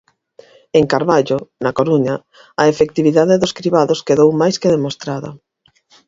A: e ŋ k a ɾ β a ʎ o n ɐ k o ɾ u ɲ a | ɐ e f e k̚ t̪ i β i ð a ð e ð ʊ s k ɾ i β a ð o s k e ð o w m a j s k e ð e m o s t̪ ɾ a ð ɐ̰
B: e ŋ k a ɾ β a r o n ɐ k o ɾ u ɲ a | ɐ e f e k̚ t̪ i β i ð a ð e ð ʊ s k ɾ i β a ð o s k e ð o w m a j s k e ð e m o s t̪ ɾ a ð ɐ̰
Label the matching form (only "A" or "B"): A